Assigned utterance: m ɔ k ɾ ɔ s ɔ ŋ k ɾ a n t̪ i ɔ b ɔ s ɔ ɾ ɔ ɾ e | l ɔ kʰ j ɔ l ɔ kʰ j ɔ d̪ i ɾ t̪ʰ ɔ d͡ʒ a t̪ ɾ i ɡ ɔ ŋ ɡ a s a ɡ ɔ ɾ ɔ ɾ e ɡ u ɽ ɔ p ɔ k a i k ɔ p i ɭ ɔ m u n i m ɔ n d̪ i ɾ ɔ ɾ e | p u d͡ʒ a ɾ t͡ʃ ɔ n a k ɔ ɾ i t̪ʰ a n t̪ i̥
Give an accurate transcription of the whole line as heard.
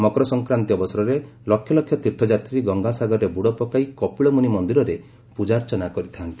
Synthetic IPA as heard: m ɔ k ɾ ɔ s ɔ ŋ k ɾ a n t̪ i ɔ b ɔ s ɔ ɾ ɔ ɾ e | l ɔ kʰ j ɔ l ɔ kʰ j ɔ t̪ i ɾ t̪ʰ ɔ d͡ʒ a t̪ ɾ i ɡ ɔ ŋ ɡ a s a ɡ ɔ ɾ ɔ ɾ e b u ɽ ɔ p ɔ k a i k ɔ p i ɭ ɔ m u n i m ɔ n d̪ i ɾ ɔ ɾ e | p u d͡ʒ a ɾ t͡ʃ ɔ n a k ɔ ɾ i t̪ʰ a n t̪ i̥

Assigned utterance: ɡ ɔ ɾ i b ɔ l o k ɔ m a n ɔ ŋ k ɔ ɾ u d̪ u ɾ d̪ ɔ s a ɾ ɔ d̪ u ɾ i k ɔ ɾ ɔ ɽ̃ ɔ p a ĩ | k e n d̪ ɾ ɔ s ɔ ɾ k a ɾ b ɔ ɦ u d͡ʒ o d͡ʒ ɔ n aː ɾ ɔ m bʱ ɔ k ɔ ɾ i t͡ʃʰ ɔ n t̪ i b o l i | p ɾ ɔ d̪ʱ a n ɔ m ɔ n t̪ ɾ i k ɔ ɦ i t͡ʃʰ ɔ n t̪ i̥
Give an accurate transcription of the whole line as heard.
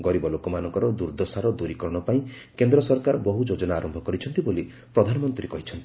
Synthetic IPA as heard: ɡ ɔ ɾ i b ɔ l o k ɔ m a n ɔ ŋ k ɔ ɾ ɔ d̪ u ɾ d̪ ɔ s a ɾ ɔ d̪ u ɾ i k ɔ ɾ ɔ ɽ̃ ɔ p a ĩ | k e n d̪ ɾ ɔ s ɔ ɾ k a ɾ b ɔ ɦ u d͡ʒ o d͡ʒ ɔ n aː ɾ ɔ m bʱ ɔ k ɔ ɾ i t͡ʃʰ ɔ n t̪ i b o l i | p ɾ ɔ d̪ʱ a n ɔ m ɔ n t̪ ɾ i k ɔ ɦ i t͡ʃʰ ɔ n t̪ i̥

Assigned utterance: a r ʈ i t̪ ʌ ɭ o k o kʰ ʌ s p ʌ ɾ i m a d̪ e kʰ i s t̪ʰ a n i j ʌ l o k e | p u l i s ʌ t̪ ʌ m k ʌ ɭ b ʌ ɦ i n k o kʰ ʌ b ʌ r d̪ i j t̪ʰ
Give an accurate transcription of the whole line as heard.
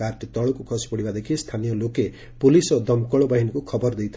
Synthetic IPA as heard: a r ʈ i t̪ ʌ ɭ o k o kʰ ʌ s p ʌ ɽ i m a d̪ e kʰ i s t̪ʰ a n i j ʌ l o k e | p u l i s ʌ d̪ ʌ m k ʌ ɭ b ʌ ɦ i n k o kʰ ʌ b ʌ r d̪ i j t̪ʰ

